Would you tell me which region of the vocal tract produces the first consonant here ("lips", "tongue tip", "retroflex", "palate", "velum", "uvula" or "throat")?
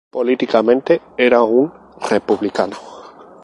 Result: lips